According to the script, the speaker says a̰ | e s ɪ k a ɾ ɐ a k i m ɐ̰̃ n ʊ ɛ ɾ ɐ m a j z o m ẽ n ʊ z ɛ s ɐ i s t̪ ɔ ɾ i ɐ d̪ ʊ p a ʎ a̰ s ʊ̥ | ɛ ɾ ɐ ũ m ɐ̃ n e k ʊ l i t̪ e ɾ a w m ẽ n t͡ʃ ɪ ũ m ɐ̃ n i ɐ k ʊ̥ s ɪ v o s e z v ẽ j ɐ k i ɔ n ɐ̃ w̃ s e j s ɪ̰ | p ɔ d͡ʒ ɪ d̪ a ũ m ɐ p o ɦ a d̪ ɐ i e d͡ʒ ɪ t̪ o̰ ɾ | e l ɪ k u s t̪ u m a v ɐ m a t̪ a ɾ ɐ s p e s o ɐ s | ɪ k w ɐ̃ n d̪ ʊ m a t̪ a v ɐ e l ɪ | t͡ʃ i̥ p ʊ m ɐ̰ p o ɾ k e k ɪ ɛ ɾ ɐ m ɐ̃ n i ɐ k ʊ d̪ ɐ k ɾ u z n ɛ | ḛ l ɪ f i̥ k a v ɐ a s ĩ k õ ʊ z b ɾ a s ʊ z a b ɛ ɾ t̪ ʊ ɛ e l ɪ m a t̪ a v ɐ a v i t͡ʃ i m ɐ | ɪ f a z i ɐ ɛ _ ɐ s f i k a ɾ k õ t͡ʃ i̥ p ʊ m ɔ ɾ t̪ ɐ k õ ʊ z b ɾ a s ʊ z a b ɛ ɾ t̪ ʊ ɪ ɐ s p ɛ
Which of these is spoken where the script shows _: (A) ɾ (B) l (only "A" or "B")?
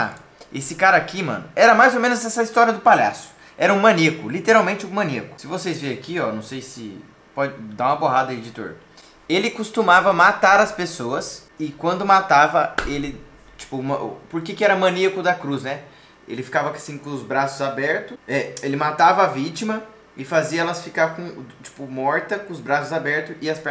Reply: B